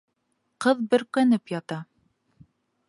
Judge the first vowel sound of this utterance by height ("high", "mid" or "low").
mid